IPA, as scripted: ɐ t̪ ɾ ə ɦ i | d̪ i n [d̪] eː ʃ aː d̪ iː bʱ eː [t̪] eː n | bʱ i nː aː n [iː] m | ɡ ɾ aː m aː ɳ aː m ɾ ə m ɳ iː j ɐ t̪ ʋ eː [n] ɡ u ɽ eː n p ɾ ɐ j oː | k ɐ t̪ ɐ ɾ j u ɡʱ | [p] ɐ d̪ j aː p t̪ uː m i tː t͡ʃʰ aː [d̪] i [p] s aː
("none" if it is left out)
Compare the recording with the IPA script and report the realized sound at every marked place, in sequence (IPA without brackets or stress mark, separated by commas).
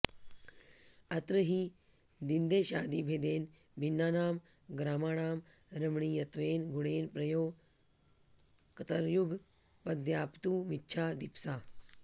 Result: d̪, d̪, aː, n, p, d̪, p